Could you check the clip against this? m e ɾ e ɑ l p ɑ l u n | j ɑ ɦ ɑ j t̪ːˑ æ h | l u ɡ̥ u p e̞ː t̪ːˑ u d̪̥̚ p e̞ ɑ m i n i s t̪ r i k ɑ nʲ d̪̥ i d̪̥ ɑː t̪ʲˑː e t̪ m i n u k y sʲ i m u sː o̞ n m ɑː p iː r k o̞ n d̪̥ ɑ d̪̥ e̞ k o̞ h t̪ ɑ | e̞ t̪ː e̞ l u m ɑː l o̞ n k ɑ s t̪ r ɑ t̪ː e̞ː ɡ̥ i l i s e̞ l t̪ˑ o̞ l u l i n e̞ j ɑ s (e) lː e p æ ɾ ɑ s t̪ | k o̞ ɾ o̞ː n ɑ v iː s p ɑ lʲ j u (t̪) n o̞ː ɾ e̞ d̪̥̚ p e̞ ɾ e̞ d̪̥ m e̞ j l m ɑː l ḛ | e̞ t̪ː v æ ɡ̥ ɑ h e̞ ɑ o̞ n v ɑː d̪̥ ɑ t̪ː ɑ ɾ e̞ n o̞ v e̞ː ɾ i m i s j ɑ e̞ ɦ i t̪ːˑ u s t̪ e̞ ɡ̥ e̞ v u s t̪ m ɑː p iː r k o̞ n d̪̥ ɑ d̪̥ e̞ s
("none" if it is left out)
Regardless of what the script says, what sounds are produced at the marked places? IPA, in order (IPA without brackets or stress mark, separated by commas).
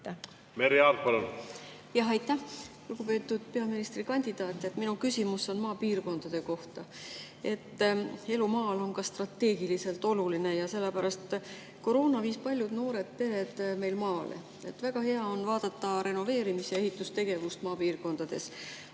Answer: e, d̪